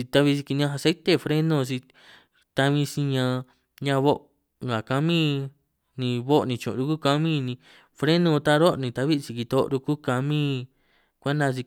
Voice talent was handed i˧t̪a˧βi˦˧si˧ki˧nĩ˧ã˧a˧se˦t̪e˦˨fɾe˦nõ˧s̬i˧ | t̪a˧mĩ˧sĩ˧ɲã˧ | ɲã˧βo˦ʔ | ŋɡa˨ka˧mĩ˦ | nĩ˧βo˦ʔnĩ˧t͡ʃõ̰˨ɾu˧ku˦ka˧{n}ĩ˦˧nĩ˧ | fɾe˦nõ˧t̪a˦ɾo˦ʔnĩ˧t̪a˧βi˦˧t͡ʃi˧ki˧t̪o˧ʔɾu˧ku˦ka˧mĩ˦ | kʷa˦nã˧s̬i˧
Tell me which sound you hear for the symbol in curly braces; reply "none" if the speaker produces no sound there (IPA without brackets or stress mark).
m